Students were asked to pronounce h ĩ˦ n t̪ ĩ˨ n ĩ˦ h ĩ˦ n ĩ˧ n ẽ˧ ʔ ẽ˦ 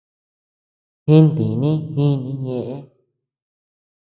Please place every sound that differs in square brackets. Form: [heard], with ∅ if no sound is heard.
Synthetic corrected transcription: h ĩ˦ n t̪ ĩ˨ n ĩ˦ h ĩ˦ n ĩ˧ [ɲ] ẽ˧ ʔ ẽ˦